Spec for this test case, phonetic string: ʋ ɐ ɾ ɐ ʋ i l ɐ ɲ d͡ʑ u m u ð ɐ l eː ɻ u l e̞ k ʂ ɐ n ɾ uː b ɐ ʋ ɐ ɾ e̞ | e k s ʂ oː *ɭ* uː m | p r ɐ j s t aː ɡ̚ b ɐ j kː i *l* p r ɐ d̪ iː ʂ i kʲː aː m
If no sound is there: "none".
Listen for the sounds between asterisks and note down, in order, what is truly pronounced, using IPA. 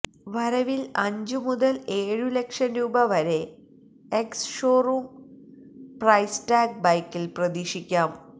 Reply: r, l

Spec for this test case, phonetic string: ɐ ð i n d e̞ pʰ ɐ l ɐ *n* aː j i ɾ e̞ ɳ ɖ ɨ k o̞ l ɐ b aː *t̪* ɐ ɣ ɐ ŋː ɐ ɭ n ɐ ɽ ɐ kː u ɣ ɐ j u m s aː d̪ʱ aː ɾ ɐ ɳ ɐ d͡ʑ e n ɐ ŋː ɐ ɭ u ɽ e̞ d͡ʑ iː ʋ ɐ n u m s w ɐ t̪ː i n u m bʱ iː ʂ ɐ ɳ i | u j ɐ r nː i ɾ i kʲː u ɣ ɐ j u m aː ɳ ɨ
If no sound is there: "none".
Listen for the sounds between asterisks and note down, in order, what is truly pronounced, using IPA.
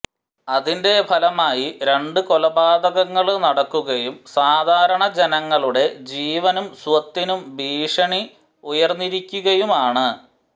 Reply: m, d̪

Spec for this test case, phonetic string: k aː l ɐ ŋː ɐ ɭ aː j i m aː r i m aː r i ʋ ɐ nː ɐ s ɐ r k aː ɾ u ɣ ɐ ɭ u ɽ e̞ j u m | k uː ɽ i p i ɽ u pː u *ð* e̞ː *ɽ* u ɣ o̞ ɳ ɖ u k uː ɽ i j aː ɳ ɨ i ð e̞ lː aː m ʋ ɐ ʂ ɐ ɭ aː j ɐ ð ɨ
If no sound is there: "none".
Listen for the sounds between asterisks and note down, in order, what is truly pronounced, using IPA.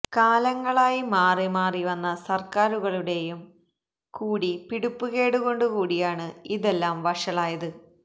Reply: ɣ, ɽ

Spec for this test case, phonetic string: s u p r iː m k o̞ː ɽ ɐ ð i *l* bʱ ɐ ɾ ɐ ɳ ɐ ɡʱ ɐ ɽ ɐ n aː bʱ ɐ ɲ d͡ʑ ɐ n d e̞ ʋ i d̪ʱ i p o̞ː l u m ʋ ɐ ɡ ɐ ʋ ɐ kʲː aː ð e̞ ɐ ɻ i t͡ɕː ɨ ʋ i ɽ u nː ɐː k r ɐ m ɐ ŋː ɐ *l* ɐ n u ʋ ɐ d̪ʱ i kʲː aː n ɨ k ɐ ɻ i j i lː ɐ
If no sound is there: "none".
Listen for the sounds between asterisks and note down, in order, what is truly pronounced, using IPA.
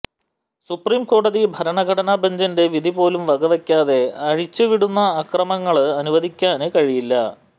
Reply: none, ɭ

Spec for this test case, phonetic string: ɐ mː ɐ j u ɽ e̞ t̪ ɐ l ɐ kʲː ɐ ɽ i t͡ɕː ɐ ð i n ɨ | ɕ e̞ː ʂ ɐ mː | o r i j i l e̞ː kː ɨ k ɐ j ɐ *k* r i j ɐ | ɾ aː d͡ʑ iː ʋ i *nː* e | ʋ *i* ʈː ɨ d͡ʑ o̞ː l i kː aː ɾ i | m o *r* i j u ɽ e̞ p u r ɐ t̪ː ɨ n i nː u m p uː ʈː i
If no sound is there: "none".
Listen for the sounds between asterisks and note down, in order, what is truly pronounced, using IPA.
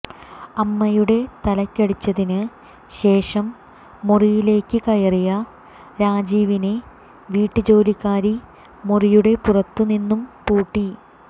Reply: none, n, iː, r

